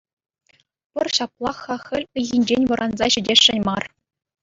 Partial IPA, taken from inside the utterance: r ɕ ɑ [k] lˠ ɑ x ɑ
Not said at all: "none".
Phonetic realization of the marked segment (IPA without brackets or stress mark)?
p